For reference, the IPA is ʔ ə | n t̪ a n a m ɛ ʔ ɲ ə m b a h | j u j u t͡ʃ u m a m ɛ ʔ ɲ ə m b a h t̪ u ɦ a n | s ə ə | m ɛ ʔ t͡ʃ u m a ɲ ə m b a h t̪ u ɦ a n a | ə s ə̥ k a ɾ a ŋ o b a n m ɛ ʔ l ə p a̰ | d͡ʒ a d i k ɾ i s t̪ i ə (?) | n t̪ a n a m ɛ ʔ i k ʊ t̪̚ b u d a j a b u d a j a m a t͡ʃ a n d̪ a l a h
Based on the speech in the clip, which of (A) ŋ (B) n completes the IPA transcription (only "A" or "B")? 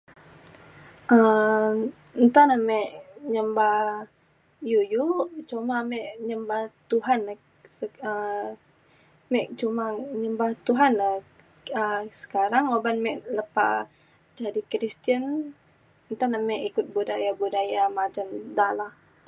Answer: B